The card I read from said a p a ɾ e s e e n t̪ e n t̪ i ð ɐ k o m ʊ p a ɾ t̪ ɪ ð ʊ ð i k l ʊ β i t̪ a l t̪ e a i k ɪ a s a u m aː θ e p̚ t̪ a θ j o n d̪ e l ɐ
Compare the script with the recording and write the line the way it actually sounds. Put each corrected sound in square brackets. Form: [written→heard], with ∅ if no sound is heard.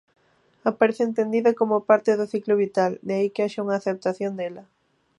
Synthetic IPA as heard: a p a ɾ e [s→θ] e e n t̪ e n [t̪→d̪] i ð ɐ k o m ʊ p a ɾ t̪ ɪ ð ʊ [ð→θ] i k l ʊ β i t̪ a l [t̪→d̪] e a i k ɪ a [s→ʃ] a u [m→ŋ] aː θ e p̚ t̪ a θ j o n d̪ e l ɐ